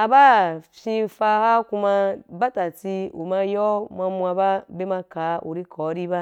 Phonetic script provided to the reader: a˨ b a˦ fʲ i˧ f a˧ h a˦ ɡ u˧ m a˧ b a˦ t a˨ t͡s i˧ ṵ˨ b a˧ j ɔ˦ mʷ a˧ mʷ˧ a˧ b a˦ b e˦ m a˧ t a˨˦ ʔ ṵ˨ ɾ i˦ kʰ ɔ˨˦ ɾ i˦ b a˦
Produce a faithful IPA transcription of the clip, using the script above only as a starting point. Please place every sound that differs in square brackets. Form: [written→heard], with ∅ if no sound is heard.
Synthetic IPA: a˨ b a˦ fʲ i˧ f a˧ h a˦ [ɡ→k] u˧ m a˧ b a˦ t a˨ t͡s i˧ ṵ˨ [b→m] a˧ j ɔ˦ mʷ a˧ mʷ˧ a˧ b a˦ b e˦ m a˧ [t→k] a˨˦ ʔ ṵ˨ ɾ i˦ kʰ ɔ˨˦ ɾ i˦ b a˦